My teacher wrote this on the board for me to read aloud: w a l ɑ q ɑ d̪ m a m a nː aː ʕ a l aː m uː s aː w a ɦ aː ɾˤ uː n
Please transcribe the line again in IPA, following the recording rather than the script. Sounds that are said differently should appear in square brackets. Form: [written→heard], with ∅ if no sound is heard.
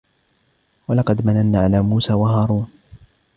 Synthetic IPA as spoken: w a l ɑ q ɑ d̪ m a [m→n] a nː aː ʕ a l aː m uː s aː w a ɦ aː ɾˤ uː n